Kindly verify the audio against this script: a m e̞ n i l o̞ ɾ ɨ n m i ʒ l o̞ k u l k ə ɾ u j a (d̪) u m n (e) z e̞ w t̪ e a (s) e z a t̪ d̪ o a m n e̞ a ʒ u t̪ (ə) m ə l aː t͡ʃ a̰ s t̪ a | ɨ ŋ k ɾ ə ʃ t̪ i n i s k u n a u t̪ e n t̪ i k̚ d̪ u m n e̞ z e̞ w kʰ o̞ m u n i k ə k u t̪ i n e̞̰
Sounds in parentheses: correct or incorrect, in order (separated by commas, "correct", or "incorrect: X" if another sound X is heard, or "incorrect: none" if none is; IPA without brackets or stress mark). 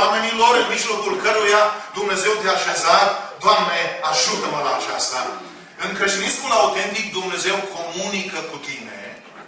correct, correct, incorrect: ʃ, correct